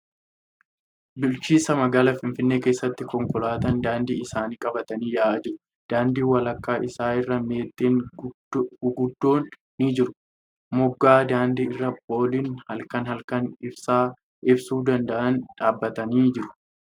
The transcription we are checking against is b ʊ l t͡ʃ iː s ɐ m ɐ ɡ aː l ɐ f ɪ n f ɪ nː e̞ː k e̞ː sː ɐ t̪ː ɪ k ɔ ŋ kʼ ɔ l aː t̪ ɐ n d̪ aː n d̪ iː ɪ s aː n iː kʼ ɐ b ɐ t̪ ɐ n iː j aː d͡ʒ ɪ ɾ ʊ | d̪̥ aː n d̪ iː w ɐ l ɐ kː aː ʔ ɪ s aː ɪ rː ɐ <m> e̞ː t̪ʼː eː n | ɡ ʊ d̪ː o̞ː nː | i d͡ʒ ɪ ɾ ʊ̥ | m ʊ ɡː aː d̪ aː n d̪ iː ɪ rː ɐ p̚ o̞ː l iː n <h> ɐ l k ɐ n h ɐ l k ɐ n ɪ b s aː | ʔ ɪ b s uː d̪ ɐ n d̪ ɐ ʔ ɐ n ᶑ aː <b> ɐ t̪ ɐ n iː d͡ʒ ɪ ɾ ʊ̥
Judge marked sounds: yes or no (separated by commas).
yes, yes, no